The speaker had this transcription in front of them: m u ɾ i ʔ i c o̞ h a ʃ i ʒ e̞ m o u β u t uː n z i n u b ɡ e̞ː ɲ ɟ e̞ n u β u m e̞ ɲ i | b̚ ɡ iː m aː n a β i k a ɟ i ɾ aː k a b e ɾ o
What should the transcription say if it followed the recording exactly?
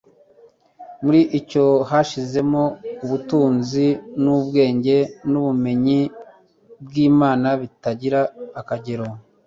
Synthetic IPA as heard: m u ɾ i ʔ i c o̞ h a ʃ i z e̞ m o u β u t uː n z i n u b ɡ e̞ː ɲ ɟ e̞ n u β u m e̞ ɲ i | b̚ ɡ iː m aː n a β i t a ɟ i ɾ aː k a ɟ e ɾ o

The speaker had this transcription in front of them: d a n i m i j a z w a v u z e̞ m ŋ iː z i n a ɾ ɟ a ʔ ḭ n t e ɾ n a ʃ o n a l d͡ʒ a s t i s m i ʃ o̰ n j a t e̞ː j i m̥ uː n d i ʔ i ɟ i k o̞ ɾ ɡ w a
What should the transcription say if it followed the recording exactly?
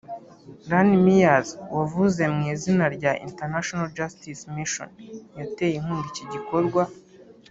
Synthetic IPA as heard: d a n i m i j a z w a v u z e̞ m ŋ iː z i n a ɾ ɟ a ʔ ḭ n t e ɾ n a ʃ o n a l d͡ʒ a s t i s m i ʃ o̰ n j a t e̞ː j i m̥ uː n d i c i ɟ i k o̞ ɾ ɡ w a

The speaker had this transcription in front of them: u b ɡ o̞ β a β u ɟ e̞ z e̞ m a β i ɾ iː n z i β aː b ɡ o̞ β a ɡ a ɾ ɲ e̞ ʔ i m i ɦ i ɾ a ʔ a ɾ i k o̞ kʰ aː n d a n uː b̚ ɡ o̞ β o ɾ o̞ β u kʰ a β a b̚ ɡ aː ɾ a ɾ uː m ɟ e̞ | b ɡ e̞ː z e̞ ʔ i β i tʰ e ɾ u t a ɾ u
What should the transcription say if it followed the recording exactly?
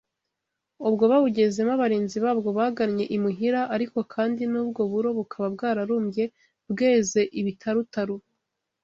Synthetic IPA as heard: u b ɡ o̞ β a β u ɟ e̞ z e̞ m a β a ɾ iː n z i β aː b ɡ o̞ β a ɡ a ɾ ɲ e̞ ʔ i m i ɦ i ɾ a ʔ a ɾ i k o̞ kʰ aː n d i n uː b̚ ɡ o̞ β u ɾ o̞ β u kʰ a β a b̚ ɡ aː ɾ a ɾ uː m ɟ e̞ | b ɡ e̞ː z e̞ ʔ i β i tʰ a ɾ u t a ɾ u

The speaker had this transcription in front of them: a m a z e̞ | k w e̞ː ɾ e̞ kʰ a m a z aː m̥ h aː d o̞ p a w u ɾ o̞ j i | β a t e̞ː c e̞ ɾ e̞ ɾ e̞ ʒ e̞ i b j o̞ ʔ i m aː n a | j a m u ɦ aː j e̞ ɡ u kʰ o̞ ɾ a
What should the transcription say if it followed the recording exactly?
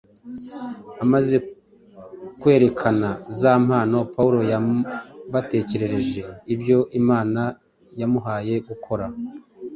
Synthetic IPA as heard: a m a z e̞ | k w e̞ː ɾ e̞ kʰ a n a z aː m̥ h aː n o̞ p a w u ɾ o̞ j a | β a t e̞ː c e̞ ɾ e̞ ɾ e̞ ʒ e̞ i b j o̞ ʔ i m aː n a | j a m u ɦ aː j e̞ ɡ u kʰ o̞ ɾ a

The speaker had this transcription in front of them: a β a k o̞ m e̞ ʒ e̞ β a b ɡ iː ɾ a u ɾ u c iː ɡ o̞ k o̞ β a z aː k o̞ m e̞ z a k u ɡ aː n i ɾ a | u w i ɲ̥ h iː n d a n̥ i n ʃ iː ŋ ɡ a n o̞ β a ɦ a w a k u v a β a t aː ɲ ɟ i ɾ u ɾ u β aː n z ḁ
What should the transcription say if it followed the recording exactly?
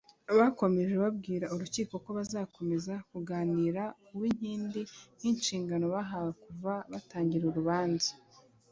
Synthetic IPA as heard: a β a k o̞ m e̞ ʒ e̞ β a b ɡ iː ɾ a u ɾ u c iː k o̞ k o̞ β a z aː k o̞ m e̞ z a k u ɡ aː n i ɾ a | u w i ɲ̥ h iː n d i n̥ i n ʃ iː ŋ ɡ a n o̞ β a ɦ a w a k u v a β a t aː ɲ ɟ i ɾ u ɾ u β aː n z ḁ

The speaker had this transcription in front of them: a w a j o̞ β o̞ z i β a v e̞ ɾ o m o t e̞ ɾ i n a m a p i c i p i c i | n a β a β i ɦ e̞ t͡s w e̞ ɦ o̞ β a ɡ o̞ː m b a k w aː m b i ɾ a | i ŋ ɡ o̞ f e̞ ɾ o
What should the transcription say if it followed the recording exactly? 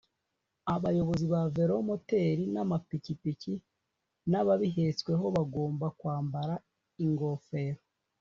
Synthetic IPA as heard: a β a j o̞ β o̞ z i β a v e̞ ɾ o m o t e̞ ɾ i n a m a p i c i p i c i | n a β a β i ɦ e̞ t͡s w e̞ ɦ o̞ β a ɡ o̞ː m b a k w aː m b a ɾ a | i ŋ ɡ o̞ f e̞ ɾ o

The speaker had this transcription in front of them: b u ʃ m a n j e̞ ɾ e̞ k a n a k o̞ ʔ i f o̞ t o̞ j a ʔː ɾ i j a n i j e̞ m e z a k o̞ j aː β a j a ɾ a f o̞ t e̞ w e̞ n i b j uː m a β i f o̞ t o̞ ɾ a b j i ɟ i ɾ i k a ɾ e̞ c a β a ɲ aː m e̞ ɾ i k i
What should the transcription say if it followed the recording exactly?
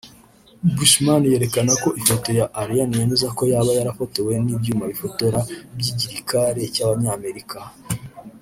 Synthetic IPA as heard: b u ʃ m a n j e̞ ɾ e̞ k a n a k o̞ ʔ i f o̞ t o̞ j a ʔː ɾ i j a n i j e̞ m e z a k o̞ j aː β a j a ɾ a f o̞ t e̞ w e̞ n i b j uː m a β i f o̞ t o̞ ɾ a b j i ɟ i ɾ i k a ɾ e̞ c a β a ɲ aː m e̞ ɾ i k a

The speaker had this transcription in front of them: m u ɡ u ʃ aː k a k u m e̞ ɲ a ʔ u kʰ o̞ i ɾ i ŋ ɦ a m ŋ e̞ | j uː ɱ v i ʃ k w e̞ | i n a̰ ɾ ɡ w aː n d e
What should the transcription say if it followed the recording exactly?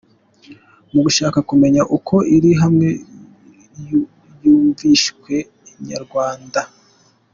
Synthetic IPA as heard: m u ɡ u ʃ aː k a k u m e̞ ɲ a ʔ u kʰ o̞ i ɾ i ɦ a m ŋ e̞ | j uː ɱ v i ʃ k w e̞ | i ɲ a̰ ɾ ɡ w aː n d a

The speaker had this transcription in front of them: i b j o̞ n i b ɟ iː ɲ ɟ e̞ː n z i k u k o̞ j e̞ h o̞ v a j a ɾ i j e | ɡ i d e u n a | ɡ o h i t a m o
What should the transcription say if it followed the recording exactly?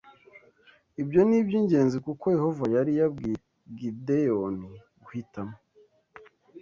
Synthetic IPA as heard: i b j o̞ n i b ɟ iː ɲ ɟ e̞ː n z i k u k o̞ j e̞ h o̞ v a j a ɾ i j a | ɡ i d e o n i | ɡ u h i t a m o

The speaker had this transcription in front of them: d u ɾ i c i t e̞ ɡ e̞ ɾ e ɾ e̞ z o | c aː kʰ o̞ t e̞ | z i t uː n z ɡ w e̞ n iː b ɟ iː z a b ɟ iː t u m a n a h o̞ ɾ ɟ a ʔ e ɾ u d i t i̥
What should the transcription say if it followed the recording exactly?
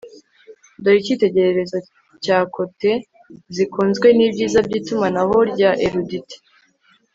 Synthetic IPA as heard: d o ɾ i c i t e̞ ɟ e̞ ɾ e ɾ e̞ z o | c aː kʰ o̞ t e̞ | z i k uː n z ɡ w e̞ n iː b ɟ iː z a b ɟ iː t u m a n a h o̞ ɾ ɟ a ʔ e ɾ u d i t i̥

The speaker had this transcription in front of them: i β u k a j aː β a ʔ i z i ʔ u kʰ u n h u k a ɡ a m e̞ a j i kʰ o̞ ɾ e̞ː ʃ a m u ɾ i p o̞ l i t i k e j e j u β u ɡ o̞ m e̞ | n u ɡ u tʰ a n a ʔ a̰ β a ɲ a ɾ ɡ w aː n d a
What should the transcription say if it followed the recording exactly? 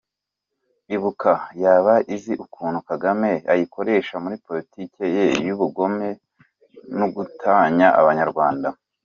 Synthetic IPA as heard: i β u k a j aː β a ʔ i z i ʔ u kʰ uː n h u k a ɡ a m e̞ a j i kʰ o̞ ɾ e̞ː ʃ a m u ɾ i p o̞ l i t i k e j e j u β u ɡ o̞ m e̞ | n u ɡ u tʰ a ɲ a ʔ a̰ β a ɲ a ɾ ɡ w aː n d a

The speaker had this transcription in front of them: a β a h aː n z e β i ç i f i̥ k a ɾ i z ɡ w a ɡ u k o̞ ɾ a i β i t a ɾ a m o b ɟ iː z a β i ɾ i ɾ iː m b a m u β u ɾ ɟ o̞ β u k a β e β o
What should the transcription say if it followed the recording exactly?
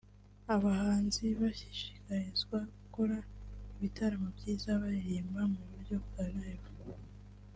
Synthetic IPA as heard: a β a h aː n z i β a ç i ʃ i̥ k a ɾ i z ɡ w a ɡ u k o̞ ɾ a i β i t a ɾ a m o b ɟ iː z a β a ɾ i ɾ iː m b a m u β u ɾ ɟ o̞ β u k a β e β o

